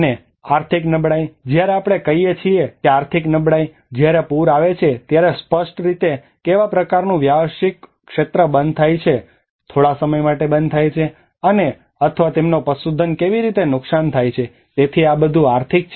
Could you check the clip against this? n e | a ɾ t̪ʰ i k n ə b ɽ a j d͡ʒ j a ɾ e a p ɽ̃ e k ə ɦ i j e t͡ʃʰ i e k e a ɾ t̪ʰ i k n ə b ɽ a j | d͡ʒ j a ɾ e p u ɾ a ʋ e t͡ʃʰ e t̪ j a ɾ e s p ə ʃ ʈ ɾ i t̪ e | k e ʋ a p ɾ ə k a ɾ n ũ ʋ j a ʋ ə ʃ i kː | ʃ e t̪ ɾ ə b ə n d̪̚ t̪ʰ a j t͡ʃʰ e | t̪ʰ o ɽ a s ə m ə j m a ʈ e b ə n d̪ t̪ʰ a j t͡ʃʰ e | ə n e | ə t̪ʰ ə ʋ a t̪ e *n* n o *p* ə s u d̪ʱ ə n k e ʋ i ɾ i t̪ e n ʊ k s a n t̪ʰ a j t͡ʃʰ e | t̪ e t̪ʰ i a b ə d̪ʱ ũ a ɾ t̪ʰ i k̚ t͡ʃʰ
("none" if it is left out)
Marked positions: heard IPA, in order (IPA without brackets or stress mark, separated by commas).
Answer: m, p